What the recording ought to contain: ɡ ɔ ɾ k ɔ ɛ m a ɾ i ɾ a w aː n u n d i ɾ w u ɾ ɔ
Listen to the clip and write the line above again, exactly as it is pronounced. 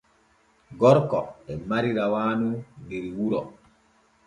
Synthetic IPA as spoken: ɡ ɔ ɾ k ɔ ɛ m a ɾ i ɾ a w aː n u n d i ɾ w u ɾ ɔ